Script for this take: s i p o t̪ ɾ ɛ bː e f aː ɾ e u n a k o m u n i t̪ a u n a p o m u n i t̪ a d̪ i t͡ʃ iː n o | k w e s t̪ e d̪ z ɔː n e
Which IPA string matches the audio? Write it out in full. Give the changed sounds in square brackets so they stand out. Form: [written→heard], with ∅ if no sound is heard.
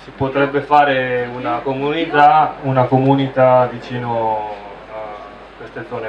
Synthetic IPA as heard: s i p o t̪ ɾ ɛ bː e f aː ɾ e u n a k o m u n i t̪ a u n a [p→k] o m u n i t̪ a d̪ i t͡ʃ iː n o | k w e s t̪ e d̪ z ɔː n e

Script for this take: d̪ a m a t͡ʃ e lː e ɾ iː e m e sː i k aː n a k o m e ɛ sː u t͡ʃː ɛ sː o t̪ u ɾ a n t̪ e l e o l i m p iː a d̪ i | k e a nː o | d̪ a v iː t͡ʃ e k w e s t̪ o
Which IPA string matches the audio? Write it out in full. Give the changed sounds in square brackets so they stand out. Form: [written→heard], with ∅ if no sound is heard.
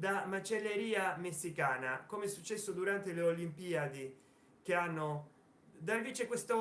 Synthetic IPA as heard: d̪ a m a t͡ʃ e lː e ɾ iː [e→a] m e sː i k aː n a k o m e ɛ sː u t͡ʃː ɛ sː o [t̪→d̪] u ɾ a n t̪ e l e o l i m p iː a d̪ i | k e a nː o | d̪ a v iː t͡ʃ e k w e s t̪ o

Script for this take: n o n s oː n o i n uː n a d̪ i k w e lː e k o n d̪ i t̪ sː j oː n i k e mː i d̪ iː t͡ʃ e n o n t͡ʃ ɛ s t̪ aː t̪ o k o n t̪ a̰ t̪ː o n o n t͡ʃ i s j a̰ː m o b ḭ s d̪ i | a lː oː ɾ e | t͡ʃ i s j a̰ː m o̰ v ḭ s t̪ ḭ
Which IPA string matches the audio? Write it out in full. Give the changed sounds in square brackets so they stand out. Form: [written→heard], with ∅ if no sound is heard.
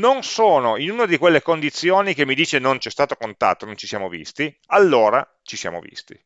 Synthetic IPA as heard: n o n s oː n o i n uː n a d̪ i k w e lː e k o n d̪ i t̪ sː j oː n i k e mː i d̪ iː t͡ʃ e n o n t͡ʃ ɛ s t̪ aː t̪ o k o n t̪ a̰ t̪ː o n o n t͡ʃ i s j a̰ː m o [b→v] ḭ s [d̪→t̪] i | a lː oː ɾ [e→a] | t͡ʃ i s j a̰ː m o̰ v ḭ s t̪ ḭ

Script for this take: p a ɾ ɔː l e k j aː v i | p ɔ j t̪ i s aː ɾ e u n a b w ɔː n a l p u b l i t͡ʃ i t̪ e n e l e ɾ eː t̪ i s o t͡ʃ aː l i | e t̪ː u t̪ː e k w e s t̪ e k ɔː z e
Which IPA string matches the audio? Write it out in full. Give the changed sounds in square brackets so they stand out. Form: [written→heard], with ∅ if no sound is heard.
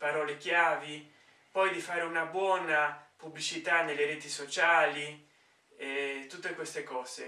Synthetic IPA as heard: p a ɾ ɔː l e k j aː v i | p ɔ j [t̪→d̪] i [s→f] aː ɾ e u n a b w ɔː n a [l→∅] p u b l i t͡ʃ i t̪ [e→a] n e l e ɾ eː t̪ i s o t͡ʃ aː l i | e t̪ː u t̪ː e k w e s t̪ e k ɔː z e

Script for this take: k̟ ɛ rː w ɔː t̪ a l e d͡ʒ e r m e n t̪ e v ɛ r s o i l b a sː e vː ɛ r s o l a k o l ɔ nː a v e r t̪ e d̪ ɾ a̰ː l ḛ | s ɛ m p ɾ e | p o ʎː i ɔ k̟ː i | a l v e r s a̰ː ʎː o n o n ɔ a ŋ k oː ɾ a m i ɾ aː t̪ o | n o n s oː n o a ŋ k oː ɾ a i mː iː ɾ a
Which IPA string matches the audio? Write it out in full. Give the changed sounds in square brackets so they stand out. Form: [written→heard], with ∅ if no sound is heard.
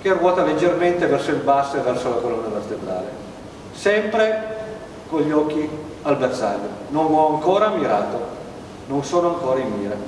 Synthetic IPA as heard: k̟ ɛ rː w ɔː t̪ a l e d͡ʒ e r m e n t̪ e v ɛ r s o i l b a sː e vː ɛ r s o l a k o l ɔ nː a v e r t̪ e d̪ ɾ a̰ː l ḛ | s ɛ m p ɾ e | [p→k] o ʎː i ɔ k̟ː i | a l [v→b] e r s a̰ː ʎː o n o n ɔ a ŋ k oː ɾ a m i ɾ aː t̪ o | n o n s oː n o a ŋ k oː ɾ a i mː iː ɾ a

